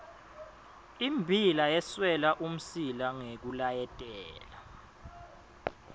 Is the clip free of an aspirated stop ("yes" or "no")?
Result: yes